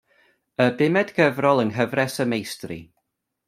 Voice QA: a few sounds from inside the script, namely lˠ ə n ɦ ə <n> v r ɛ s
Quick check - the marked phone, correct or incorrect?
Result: incorrect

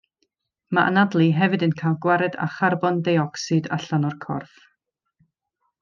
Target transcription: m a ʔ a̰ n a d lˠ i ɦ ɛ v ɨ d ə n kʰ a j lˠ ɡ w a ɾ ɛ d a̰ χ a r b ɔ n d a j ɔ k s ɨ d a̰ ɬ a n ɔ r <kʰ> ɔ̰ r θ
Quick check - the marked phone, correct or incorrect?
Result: correct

